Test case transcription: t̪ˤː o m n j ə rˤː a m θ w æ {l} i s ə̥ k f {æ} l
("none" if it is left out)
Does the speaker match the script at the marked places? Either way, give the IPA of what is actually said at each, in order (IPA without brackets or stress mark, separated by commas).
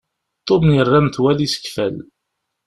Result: l, æ